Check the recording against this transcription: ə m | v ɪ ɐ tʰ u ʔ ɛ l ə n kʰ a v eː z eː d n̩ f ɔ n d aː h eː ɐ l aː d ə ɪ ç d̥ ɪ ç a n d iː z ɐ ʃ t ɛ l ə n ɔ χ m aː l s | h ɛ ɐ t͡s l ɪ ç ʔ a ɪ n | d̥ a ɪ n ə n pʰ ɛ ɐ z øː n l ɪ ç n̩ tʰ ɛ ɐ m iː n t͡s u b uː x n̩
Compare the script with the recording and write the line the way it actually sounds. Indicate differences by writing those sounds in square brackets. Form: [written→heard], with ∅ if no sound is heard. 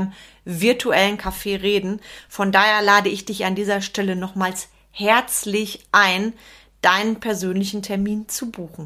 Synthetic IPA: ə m | v ɪ ɐ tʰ u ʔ ɛ l ə n kʰ a [v→f] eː [z→ʁ] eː d n̩ f ɔ n d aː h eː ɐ l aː d ə ɪ ç d̥ ɪ ç a n d iː z ɐ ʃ t ɛ l ə n ɔ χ m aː l s | h ɛ ɐ t͡s l ɪ ç ʔ a ɪ n | d̥ a ɪ n ə n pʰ ɛ ɐ z øː n l ɪ ç n̩ tʰ ɛ ɐ m iː n t͡s u b uː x n̩